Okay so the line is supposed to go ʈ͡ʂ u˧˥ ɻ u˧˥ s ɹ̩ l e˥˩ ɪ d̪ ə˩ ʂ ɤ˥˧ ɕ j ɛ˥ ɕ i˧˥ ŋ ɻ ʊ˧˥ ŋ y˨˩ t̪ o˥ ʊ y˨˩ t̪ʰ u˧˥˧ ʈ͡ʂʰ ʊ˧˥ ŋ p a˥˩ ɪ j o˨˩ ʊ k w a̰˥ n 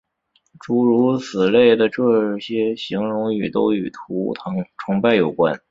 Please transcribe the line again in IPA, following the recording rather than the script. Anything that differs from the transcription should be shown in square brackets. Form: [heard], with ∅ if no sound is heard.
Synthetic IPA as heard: ʈ͡ʂ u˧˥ ɻ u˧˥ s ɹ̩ l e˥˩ ɪ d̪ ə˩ [ʈ͡ʂ] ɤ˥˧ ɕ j ɛ˥ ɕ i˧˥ ŋ ɻ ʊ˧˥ ŋ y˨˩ t̪ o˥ ʊ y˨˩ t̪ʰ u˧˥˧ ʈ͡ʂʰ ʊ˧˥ ŋ p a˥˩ ɪ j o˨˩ ʊ k w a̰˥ n